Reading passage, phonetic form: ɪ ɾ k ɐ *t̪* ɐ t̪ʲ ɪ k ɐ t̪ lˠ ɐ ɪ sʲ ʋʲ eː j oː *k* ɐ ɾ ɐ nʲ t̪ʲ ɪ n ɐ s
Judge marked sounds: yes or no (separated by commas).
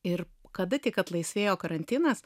no, yes